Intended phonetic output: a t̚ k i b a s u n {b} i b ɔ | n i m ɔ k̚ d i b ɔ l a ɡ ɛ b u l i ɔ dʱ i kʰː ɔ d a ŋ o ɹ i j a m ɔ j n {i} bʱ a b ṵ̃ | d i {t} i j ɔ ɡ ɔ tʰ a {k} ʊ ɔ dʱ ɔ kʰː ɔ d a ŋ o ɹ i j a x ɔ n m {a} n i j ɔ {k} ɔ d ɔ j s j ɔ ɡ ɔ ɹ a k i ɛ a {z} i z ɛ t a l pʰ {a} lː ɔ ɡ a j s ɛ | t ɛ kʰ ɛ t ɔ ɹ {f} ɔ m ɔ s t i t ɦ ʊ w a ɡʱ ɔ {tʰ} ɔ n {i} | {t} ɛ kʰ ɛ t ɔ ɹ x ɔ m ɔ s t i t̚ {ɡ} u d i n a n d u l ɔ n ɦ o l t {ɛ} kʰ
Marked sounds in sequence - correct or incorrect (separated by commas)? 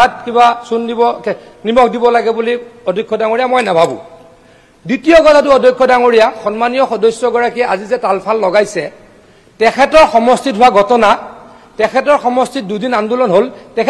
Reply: incorrect, incorrect, correct, incorrect, correct, incorrect, correct, correct, incorrect, incorrect, incorrect, correct, incorrect, correct